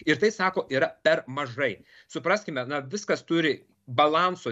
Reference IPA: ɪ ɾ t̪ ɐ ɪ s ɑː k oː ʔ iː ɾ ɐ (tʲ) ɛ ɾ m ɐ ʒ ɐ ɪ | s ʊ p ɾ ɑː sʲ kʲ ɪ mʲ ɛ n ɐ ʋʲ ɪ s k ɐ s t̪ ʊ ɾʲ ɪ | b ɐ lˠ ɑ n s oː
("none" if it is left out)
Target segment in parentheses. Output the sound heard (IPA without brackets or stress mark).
pʲ